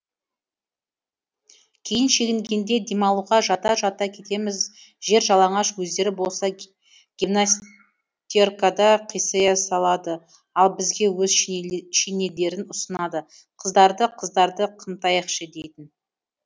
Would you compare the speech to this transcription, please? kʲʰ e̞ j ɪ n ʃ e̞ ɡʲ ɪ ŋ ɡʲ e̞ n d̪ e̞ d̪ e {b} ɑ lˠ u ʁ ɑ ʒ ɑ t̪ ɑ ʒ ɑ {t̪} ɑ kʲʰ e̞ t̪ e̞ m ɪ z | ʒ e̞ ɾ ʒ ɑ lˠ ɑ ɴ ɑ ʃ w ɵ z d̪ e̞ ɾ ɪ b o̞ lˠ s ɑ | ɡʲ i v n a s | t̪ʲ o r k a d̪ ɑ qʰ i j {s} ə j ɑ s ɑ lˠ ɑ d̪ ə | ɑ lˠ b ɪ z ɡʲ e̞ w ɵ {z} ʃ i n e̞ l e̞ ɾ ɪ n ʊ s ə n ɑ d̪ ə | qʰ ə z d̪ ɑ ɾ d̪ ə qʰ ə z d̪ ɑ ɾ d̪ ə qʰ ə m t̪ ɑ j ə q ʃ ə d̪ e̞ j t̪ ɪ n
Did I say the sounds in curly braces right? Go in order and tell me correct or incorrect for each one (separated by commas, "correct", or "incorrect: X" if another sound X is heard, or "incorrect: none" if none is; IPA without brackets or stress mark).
incorrect: m, correct, correct, correct